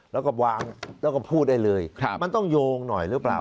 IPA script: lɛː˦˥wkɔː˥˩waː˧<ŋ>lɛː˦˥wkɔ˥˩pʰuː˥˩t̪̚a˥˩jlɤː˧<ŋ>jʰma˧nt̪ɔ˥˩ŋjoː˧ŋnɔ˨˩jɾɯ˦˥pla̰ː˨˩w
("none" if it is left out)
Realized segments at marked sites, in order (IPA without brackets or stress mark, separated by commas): ŋ, none